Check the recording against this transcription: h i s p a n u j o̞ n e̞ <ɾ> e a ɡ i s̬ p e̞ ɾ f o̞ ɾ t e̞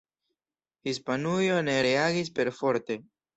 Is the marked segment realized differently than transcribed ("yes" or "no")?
no